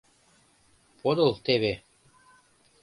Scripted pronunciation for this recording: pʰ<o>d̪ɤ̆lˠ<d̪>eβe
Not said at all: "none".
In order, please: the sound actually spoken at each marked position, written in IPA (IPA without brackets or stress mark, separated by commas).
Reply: o, t̪